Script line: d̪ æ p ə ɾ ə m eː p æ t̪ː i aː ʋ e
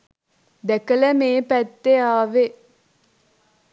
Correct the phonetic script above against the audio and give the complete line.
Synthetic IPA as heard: d̪ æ k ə l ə m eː p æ t̪ː e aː ʋ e